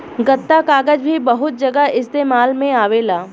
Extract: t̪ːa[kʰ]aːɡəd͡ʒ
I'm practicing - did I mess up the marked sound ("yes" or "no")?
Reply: yes